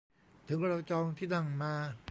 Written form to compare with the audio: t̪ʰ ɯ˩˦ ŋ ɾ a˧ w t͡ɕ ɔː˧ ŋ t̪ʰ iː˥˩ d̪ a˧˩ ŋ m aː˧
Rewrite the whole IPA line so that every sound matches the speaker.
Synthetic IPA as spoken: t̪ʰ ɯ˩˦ ŋ ɾ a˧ w t͡ɕ ɔː˧ ŋ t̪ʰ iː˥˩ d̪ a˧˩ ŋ m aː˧

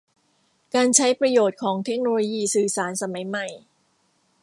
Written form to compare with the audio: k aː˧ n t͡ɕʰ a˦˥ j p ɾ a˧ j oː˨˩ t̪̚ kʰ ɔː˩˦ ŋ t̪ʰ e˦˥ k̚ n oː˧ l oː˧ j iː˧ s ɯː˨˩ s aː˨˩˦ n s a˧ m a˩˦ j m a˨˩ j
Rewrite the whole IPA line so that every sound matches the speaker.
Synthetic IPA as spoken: k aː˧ n t͡ɕʰ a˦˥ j p ɾ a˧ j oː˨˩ t̪̚ kʰ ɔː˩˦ ŋ t̪ʰ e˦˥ k̚ n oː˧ l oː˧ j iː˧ s ɯː˨˩ s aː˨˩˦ n s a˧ m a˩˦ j m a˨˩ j

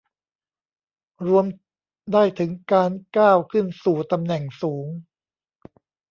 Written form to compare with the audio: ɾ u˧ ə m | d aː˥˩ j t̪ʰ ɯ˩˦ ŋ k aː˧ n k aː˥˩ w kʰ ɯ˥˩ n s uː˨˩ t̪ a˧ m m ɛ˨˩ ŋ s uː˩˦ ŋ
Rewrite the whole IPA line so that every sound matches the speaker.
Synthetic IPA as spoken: ɾ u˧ ə m | d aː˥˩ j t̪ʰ ɯ˩˦ ŋ k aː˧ n k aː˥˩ w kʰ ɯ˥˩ n s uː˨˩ t̪ a˧ m n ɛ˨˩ ŋ s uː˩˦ ŋ

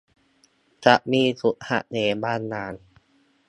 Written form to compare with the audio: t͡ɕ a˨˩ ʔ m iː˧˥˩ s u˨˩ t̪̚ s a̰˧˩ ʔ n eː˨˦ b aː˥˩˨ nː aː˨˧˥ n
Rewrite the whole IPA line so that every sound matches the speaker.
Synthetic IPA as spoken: t͡ɕ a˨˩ ʔ m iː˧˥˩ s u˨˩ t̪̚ h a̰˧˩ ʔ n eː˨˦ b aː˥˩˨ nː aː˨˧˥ n

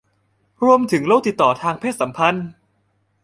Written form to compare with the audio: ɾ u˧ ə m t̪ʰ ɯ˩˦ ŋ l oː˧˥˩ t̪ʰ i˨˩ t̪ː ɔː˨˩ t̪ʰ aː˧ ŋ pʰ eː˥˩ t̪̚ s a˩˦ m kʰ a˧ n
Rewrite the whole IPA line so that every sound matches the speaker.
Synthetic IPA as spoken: ɾ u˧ ə m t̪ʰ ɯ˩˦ ŋ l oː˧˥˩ t̪ i˨˩ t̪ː ɔː˨˩ t̪ʰ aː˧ ŋ pʰ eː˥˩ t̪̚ s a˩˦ m pʰ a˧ n

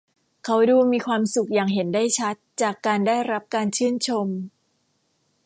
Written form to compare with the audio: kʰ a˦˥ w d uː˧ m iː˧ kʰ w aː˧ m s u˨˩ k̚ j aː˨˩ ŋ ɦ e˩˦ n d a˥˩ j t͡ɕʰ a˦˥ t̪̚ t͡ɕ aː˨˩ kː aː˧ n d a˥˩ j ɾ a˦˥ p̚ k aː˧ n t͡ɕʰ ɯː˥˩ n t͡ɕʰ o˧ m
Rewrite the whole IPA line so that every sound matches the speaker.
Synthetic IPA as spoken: kʰ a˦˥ w d uː˧ m iː˧ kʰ w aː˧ m s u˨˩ k̚ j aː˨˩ ŋ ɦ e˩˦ n d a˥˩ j t͡ɕʰ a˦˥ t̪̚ t͡ɕ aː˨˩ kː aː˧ n d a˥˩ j ɾ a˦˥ p̚ k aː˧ n t͡ɕʰ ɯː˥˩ n t͡ɕʰ o˧ m

